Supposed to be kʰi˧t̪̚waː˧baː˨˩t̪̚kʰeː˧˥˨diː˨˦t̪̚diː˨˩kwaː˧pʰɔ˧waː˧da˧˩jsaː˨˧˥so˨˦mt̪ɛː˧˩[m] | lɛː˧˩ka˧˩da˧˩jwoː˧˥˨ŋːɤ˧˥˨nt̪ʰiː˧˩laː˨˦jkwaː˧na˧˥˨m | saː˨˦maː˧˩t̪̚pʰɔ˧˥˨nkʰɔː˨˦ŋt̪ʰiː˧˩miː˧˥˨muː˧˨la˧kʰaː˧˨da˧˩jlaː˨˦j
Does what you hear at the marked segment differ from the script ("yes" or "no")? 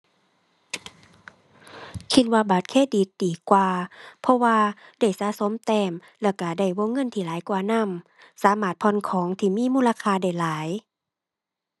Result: no